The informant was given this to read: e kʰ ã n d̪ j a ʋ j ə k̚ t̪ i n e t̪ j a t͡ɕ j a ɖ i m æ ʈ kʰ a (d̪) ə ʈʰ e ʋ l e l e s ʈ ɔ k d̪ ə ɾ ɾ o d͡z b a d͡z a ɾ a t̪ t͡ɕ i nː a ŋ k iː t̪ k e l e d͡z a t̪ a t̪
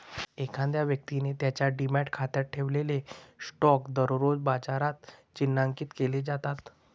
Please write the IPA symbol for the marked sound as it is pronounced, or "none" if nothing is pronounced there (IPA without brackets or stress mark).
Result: t̪